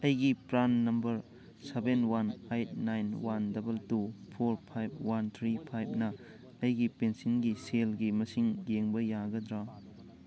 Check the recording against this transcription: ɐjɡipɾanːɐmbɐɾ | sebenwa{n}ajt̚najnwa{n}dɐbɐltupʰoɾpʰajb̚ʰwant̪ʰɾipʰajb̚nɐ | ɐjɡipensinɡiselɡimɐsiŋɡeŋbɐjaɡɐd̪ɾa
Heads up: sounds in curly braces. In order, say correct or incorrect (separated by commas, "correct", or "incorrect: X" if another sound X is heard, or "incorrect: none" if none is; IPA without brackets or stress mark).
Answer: correct, correct